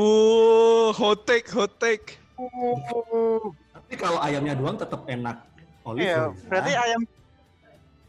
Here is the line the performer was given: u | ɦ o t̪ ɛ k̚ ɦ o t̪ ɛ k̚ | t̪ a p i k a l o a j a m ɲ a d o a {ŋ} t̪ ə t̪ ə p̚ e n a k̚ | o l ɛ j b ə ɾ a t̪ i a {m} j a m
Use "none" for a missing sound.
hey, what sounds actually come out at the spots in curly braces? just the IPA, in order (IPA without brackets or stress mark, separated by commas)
ŋ, none